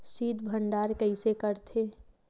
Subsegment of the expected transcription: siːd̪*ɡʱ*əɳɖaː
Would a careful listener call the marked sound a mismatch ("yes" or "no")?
yes